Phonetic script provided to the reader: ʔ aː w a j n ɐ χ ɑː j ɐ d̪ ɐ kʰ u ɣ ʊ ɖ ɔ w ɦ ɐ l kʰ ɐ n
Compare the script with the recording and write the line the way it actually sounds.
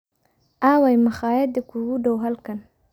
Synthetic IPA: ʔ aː w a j m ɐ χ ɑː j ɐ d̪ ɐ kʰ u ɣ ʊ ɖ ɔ w ɦ ɐ l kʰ ɐ n